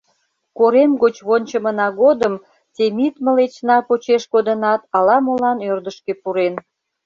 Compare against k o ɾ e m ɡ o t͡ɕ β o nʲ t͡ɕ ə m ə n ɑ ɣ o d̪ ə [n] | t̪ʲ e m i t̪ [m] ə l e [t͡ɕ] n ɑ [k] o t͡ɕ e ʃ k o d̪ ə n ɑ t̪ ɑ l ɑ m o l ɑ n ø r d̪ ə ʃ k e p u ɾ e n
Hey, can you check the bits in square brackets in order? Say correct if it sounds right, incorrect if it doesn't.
incorrect: m, correct, correct, incorrect: p

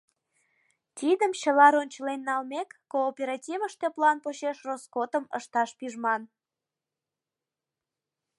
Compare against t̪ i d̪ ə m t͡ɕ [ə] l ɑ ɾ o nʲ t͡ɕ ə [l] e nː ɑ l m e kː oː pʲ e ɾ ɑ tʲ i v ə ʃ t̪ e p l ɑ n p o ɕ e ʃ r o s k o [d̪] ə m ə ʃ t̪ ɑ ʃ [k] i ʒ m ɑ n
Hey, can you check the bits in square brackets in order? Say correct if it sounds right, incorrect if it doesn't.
correct, correct, incorrect: t̪, incorrect: p

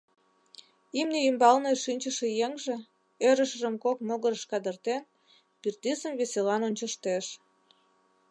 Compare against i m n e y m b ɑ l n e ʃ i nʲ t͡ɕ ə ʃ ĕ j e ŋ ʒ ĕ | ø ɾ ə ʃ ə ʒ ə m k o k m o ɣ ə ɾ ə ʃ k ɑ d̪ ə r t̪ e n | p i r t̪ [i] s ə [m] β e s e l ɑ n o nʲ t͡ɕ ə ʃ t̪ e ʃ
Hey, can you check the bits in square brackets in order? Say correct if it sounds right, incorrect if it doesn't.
correct, correct

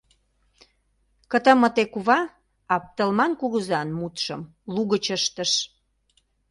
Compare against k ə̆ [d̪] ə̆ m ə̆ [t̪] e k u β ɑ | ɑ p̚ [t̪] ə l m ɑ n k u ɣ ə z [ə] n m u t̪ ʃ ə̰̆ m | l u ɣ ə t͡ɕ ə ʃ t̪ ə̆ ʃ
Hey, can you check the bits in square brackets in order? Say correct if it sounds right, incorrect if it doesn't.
incorrect: t̪, correct, correct, incorrect: ɑ

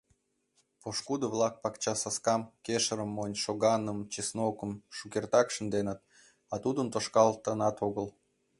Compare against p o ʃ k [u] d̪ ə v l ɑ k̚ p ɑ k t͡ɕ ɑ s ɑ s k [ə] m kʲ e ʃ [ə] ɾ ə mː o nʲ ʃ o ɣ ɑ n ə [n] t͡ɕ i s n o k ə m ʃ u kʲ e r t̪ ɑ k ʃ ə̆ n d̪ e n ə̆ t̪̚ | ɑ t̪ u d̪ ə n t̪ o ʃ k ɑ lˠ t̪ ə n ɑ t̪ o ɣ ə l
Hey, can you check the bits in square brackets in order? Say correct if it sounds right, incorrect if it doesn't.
correct, incorrect: ɑ, correct, incorrect: m

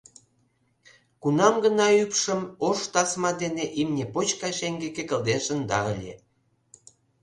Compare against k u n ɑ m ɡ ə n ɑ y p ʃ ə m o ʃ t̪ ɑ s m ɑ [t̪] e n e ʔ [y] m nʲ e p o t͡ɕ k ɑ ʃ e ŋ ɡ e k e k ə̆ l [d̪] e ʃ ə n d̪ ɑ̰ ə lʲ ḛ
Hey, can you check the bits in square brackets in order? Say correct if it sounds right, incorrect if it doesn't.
incorrect: d̪, incorrect: i, correct

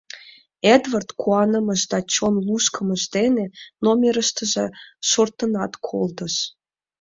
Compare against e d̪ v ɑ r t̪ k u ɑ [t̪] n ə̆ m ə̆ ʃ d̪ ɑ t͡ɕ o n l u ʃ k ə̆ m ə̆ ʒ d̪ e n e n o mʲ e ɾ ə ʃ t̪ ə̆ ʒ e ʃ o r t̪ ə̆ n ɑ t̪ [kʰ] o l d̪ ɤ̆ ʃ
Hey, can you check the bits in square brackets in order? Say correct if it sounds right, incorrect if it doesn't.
incorrect: none, correct

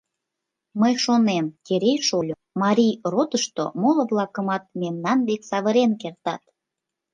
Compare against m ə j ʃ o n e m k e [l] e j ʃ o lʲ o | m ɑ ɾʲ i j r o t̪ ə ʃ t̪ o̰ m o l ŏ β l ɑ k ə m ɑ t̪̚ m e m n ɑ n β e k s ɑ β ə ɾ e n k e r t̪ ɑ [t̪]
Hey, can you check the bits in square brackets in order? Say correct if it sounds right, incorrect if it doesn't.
incorrect: ɾ, correct

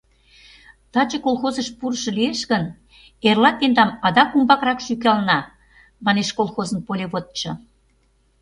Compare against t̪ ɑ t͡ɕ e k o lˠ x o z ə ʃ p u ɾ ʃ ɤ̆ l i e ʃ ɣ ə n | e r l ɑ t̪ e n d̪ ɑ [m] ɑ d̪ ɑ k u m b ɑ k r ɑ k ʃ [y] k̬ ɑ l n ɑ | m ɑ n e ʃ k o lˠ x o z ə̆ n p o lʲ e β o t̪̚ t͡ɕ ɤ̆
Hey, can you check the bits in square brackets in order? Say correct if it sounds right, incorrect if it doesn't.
correct, correct

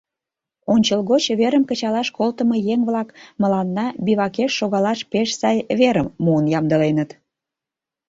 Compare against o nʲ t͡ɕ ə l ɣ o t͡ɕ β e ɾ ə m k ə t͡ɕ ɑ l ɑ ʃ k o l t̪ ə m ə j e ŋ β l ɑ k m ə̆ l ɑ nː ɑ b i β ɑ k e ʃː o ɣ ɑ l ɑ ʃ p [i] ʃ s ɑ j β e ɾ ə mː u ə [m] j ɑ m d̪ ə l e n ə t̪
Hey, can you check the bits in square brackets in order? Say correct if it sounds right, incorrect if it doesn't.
incorrect: e, incorrect: n

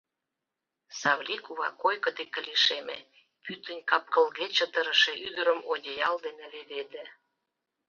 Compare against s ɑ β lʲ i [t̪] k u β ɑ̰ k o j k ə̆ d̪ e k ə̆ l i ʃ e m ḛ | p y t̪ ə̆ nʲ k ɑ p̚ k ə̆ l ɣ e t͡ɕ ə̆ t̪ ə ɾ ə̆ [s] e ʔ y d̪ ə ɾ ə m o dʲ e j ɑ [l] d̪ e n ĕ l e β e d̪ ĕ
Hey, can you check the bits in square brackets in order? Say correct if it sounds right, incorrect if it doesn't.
incorrect: none, incorrect: ʃ, correct

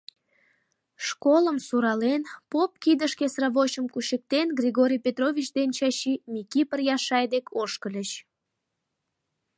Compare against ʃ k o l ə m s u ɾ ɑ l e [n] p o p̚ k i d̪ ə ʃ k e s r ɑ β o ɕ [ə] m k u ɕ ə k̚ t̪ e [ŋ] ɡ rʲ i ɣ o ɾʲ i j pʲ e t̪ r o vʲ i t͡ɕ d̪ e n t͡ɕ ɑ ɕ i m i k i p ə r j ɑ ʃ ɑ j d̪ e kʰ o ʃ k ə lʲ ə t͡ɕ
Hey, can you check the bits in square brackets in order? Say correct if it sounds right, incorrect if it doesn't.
correct, correct, incorrect: n

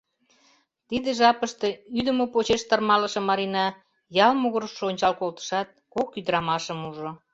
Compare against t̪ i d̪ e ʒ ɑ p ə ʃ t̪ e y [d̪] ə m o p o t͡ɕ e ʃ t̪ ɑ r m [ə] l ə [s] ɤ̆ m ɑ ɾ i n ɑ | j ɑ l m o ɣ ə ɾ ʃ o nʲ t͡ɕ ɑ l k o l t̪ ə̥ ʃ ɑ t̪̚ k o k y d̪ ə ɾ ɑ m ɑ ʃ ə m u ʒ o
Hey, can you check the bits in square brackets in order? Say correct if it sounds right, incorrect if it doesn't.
correct, incorrect: ɑ, incorrect: ʃ

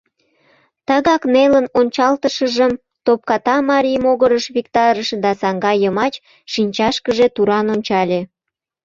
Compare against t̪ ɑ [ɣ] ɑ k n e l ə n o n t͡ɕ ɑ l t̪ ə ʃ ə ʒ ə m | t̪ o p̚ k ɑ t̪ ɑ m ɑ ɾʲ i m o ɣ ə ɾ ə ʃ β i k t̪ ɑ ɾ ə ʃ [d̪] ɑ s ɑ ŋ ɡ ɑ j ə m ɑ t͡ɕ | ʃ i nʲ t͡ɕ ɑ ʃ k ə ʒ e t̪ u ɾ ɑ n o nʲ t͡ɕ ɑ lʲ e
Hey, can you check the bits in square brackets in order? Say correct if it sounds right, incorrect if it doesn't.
correct, correct

